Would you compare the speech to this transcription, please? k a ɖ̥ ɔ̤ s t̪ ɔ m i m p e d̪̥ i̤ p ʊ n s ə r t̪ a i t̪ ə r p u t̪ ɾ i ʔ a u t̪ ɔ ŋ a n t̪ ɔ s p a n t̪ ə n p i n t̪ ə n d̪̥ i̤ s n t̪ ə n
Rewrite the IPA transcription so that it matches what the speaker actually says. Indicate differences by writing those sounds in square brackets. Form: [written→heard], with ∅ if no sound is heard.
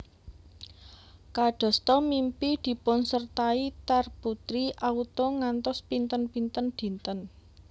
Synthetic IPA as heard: k a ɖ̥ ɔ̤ s t̪ ɔ m i m p [e→i] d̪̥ i̤ p ʊ n s ə r t̪ a i t̪ [ə→a] r p u t̪ ɾ i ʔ a u t̪ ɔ ŋ a n t̪ ɔ s p [a→i] n t̪ ə n p i n t̪ ə n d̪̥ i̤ [s→∅] n t̪ ə n